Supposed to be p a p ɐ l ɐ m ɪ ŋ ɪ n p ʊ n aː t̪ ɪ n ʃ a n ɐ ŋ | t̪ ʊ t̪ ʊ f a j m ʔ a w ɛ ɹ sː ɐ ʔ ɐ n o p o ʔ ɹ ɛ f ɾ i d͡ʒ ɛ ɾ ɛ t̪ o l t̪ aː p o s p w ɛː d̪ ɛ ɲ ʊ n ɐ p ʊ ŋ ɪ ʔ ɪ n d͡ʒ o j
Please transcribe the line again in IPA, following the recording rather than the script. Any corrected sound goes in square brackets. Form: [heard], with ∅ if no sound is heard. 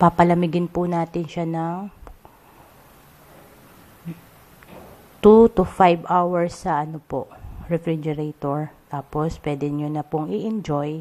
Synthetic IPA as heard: p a p ɐ l ɐ m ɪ [ɡ] ɪ n p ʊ n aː t̪ ɪ n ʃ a n ɐ ŋ | t̪ [u] t̪ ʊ f a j [b] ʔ a w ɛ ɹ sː ɐ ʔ ɐ n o p o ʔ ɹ ɛ f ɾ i d͡ʒ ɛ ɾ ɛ t̪ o [ɹ] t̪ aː p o s p w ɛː d̪ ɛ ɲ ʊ n ɐ p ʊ ŋ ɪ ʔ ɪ n d͡ʒ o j

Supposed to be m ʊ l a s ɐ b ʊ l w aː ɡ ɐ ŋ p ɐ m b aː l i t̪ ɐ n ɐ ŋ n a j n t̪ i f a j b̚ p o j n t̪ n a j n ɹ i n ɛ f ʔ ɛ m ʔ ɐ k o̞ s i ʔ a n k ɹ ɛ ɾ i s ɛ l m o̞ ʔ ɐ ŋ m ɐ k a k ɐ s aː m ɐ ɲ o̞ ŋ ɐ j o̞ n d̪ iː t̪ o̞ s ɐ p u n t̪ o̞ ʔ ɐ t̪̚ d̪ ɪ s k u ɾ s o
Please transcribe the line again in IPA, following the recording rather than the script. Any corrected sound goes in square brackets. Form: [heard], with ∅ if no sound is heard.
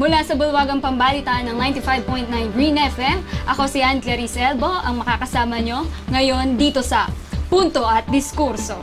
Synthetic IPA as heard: m ʊ l a s ɐ b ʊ l w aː ɡ ɐ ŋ p ɐ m b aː l i t̪ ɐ n ɐ ŋ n a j n t̪ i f a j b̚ p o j n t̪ n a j n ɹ i n ɛ f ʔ ɛ m ʔ ɐ k o̞ s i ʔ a n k [l] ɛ ɾ i s ɛ l [b] o̞ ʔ ɐ ŋ m ɐ k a k ɐ s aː m ɐ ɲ o̞ ŋ ɐ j o̞ n d̪ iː t̪ o̞ s ɐ p u n t̪ o̞ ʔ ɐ t̪̚ d̪ ɪ s k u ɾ s o

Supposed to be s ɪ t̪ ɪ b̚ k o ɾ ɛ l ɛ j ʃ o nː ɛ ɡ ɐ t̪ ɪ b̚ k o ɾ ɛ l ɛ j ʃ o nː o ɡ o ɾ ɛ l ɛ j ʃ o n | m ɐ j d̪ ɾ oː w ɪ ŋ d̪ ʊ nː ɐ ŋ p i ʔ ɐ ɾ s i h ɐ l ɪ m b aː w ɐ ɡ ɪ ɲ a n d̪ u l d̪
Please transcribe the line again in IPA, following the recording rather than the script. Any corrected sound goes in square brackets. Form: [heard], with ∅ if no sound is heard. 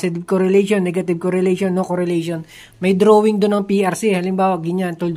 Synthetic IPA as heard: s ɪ t̪ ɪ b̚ k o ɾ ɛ l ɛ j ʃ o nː ɛ ɡ ɐ t̪ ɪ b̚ k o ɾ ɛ l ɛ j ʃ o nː o [k] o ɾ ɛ l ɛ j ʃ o n | m ɐ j d̪ ɾ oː w ɪ ŋ d̪ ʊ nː ɐ ŋ p i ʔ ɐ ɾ s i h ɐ l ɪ m b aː w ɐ ɡ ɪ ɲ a n [t̪] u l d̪

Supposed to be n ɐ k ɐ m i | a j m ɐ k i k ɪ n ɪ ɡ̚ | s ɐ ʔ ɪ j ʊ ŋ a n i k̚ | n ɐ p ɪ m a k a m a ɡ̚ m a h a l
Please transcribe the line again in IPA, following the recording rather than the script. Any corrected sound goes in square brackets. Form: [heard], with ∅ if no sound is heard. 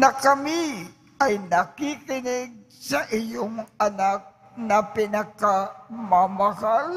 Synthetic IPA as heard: n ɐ k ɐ m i | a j [n] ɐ k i k ɪ n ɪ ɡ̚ | s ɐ ʔ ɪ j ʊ ŋ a n [a] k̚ | n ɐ p ɪ [n] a k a m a [∅] m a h a l

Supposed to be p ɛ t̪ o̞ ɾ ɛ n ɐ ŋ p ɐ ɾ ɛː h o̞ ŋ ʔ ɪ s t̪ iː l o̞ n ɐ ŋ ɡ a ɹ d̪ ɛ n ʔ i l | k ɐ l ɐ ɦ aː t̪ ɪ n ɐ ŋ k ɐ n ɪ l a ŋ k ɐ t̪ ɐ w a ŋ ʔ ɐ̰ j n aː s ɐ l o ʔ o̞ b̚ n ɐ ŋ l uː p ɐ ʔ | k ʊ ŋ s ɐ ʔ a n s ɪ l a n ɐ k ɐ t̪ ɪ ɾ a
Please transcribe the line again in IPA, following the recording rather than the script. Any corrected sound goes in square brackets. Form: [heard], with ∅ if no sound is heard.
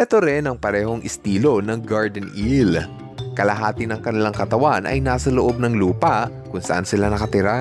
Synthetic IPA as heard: [ʔ] ɛ t̪ o̞ ɾ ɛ n ɐ ŋ p ɐ ɾ ɛː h o̞ ŋ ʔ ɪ s t̪ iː l o̞ n ɐ ŋ ɡ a ɹ d̪ ɛ n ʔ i l | k ɐ l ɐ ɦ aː t̪ ɪ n ɐ ŋ k ɐ n ɪ l a ŋ k ɐ t̪ ɐ w a [n] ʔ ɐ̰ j n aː s ɐ l o ʔ o̞ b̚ n ɐ ŋ l uː p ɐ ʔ | k ʊ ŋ s ɐ ʔ a n s ɪ l a n ɐ k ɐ t̪ ɪ ɾ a

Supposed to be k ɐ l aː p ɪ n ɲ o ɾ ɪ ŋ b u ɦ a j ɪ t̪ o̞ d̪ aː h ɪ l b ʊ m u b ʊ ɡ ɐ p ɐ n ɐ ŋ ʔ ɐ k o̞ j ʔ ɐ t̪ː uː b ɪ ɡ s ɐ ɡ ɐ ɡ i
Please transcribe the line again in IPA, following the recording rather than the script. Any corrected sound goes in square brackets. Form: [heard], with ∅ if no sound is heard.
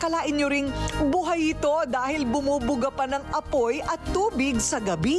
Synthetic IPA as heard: k ɐ l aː [ʔ] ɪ n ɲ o ɾ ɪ ŋ b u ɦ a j ɪ t̪ o̞ d̪ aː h ɪ l b ʊ m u b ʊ ɡ ɐ p ɐ n ɐ ŋ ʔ ɐ [p] o̞ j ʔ ɐ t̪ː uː b ɪ ɡ s ɐ ɡ ɐ [b] i

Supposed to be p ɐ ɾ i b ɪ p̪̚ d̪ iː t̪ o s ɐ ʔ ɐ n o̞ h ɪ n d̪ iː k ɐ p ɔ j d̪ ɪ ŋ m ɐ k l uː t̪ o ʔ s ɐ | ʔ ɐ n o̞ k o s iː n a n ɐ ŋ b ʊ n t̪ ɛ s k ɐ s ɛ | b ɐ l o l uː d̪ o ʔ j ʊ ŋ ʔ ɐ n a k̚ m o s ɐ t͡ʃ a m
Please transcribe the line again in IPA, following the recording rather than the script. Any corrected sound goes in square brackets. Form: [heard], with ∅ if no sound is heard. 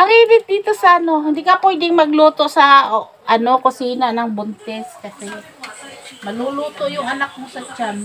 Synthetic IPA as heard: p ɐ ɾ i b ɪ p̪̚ d̪ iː t̪ o s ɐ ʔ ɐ n o̞ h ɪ n d̪ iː k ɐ p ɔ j d̪ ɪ ŋ m ɐ [ɡ] l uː t̪ o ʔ s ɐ | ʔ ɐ n o̞ k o s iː n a n ɐ ŋ b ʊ n t̪ ɛ s k ɐ s ɛ | [m] ɐ l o l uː [t̪] o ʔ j ʊ ŋ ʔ ɐ n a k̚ m o s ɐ t͡ʃ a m

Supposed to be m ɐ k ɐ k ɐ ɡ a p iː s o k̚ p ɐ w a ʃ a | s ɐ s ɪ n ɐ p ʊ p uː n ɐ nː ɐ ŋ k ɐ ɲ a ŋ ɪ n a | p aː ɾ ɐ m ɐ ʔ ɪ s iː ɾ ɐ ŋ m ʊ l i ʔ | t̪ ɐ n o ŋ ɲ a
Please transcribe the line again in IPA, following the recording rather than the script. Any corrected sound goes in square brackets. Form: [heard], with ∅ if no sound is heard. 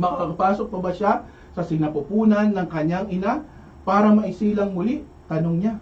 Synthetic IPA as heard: m ɐ k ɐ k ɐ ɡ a p [aː] s o k̚ p ɐ [b] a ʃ a | s ɐ s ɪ n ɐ p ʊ p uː n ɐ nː ɐ ŋ k ɐ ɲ a ŋ ɪ n a | p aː ɾ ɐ m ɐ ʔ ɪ s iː [l] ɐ ŋ m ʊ l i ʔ | t̪ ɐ n o ŋ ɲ a

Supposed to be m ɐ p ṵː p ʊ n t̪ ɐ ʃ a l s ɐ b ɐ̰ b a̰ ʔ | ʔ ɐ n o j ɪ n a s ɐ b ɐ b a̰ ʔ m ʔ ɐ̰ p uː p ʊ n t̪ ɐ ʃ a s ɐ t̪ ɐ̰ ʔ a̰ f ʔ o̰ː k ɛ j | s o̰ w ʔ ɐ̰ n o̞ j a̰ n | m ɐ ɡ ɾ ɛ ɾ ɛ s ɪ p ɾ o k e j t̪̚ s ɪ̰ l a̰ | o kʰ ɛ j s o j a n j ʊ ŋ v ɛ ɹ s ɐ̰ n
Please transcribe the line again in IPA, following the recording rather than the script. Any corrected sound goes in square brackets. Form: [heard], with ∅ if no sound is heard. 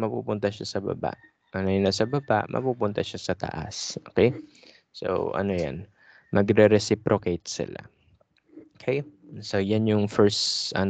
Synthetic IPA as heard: m ɐ p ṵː p ʊ n t̪ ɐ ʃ a [∅] s ɐ b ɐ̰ b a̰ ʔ | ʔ ɐ n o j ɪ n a s ɐ b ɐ b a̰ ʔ m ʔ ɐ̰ p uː p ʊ n t̪ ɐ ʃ a s ɐ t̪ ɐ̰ ʔ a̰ [s] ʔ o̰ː k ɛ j | s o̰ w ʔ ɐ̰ n o̞ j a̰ n | m ɐ ɡ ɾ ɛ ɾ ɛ s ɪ p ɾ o k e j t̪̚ s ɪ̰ l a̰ | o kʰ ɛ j s o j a n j ʊ ŋ [f] ɛ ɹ s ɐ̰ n

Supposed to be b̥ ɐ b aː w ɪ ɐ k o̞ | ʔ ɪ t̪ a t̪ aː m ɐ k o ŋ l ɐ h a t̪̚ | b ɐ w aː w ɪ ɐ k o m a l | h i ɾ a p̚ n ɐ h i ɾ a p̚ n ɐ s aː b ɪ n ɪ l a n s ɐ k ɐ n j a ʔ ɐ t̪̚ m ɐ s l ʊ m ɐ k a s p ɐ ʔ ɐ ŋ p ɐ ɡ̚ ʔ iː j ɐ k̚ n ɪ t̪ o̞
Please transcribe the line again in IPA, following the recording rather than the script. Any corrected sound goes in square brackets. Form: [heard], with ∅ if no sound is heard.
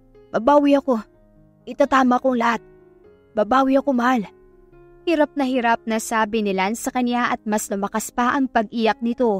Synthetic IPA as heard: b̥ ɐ b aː w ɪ ɐ k o̞ | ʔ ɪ t̪ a t̪ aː m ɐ k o ŋ l ɐ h a t̪̚ | b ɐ [b] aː w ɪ ɐ k o m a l | h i ɾ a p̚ n ɐ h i ɾ a p̚ n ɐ s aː b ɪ n ɪ l a n s ɐ k ɐ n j a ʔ ɐ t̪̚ m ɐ s l ʊ m ɐ k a s p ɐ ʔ ɐ ŋ p ɐ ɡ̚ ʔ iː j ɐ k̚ n ɪ t̪ o̞

